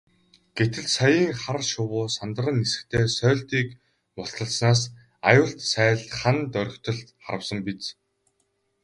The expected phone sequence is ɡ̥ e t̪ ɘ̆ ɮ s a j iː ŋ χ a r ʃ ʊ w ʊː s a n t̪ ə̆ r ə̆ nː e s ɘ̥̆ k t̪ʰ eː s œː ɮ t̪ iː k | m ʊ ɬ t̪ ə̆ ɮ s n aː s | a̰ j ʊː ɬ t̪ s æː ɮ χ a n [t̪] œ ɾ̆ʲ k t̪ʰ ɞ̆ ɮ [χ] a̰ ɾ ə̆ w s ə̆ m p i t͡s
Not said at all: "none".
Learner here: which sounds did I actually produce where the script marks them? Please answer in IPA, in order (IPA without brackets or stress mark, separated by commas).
t̪, χ